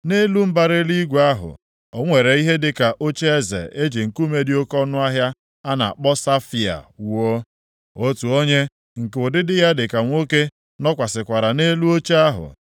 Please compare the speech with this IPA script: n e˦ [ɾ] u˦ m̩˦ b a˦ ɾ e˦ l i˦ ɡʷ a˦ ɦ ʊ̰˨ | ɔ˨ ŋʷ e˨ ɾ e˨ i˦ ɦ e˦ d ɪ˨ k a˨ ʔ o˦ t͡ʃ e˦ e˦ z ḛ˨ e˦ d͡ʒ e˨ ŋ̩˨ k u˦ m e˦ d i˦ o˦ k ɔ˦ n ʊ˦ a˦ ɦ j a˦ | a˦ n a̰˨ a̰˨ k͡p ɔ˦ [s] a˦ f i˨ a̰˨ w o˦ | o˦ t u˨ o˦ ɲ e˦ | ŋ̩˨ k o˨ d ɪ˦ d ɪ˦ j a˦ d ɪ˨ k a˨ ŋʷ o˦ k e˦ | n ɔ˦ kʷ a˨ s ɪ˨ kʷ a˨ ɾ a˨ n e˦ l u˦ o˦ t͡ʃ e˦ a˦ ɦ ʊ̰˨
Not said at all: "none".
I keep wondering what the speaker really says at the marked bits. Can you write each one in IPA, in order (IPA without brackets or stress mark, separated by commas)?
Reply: l, s